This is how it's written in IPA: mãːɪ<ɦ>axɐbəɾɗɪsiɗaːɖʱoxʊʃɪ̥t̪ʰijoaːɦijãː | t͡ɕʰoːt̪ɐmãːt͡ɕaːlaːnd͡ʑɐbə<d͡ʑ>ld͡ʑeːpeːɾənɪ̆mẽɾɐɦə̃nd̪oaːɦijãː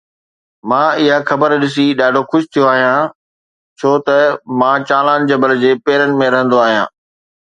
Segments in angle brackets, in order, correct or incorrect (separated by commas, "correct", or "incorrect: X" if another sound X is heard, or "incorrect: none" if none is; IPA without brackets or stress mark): correct, incorrect: none